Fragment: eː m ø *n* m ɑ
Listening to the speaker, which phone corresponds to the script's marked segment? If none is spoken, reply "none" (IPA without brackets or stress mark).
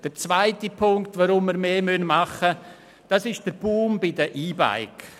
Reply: n